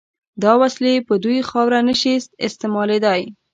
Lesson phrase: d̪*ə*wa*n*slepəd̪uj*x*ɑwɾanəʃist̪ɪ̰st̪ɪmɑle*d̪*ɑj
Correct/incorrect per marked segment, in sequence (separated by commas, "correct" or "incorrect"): incorrect, incorrect, correct, correct